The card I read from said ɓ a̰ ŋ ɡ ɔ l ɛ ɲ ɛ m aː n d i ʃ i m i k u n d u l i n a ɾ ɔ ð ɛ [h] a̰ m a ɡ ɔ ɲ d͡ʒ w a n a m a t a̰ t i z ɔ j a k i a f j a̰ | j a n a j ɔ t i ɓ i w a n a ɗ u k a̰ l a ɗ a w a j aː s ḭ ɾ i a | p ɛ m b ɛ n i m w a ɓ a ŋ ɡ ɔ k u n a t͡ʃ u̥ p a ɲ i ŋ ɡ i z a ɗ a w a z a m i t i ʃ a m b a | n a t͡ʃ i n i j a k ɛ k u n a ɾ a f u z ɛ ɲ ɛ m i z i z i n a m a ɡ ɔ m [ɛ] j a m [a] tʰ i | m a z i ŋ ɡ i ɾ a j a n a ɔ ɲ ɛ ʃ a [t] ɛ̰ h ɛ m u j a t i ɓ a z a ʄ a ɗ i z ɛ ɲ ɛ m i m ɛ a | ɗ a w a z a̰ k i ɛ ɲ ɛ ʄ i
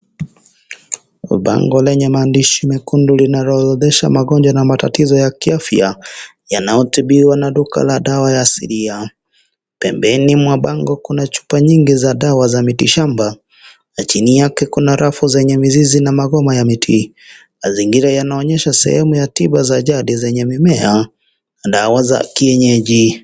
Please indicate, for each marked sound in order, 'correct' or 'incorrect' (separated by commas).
incorrect, incorrect, incorrect, incorrect